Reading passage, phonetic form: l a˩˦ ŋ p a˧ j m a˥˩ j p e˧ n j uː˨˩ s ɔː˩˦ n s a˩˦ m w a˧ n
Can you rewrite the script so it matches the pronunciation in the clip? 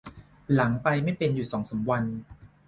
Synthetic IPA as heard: l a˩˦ ŋ p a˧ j m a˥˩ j p e˧ n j uː˨˩ s ɔː˩˦ ŋ s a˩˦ m w a˧ n